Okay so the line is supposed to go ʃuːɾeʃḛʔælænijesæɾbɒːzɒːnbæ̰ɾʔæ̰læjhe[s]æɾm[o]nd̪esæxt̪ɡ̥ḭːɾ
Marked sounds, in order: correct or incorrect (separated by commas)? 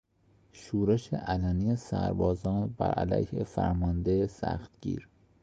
incorrect, incorrect